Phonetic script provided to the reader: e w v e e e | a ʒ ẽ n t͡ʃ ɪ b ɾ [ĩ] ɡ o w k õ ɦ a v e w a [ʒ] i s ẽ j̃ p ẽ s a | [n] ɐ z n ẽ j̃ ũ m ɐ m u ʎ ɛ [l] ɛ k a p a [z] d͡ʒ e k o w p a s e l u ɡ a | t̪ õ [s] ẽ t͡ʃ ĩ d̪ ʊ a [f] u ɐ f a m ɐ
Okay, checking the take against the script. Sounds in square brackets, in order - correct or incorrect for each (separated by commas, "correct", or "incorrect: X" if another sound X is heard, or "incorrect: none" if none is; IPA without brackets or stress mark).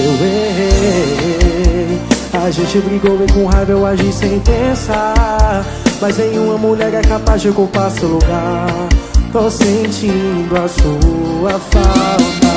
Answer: incorrect: i, correct, incorrect: m, incorrect: ɾ, correct, correct, incorrect: s